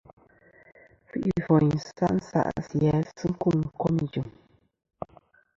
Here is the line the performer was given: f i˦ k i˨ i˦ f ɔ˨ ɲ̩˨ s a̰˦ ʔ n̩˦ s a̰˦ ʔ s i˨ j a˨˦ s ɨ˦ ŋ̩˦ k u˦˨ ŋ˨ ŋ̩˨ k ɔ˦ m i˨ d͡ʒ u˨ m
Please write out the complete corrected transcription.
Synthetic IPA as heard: f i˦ ʔ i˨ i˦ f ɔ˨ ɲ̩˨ s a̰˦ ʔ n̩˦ s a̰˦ ʔ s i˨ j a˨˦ s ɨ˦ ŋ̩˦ k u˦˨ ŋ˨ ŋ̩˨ k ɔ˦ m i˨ d͡ʒ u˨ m